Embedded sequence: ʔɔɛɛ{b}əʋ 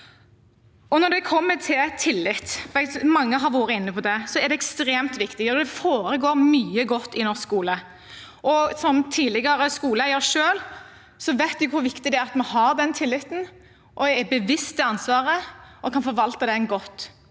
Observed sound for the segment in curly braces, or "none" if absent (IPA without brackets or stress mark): b